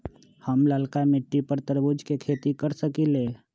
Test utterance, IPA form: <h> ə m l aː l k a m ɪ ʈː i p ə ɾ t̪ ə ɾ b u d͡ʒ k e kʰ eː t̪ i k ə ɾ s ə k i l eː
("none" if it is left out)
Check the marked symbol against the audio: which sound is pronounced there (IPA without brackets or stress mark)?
h